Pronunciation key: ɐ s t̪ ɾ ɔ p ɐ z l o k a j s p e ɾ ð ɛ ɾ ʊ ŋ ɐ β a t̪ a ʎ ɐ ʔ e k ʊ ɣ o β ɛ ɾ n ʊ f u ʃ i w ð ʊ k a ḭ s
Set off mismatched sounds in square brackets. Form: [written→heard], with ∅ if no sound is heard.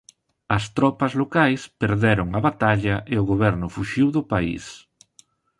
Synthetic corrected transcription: ɐ s t̪ ɾ ɔ p ɐ z l o k a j s p e ɾ ð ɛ ɾ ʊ ŋ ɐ β a t̪ a ʎ ɐ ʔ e [k→∅] ʊ ɣ o β ɛ ɾ n ʊ f u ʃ i w ð ʊ [k→p] a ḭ s